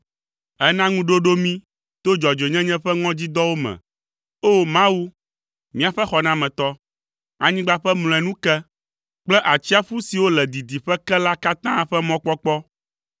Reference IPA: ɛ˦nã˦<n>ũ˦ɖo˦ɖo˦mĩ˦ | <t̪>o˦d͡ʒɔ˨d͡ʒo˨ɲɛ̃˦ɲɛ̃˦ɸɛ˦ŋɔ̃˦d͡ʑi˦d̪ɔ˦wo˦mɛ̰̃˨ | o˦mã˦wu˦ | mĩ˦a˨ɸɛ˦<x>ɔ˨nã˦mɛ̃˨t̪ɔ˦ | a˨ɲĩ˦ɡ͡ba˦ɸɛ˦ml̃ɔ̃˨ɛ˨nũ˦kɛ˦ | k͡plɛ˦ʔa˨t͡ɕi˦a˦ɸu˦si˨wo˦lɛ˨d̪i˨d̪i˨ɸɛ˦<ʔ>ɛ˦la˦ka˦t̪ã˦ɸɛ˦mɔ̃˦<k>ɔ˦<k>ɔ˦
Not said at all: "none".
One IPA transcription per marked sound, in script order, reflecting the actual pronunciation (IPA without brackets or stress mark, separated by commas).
ŋ, t̪, x, k, k͡p, k͡p